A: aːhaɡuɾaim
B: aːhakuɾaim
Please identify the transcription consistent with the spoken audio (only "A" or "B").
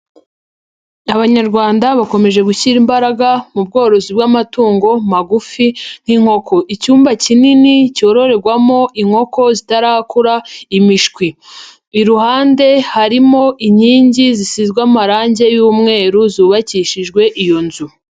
B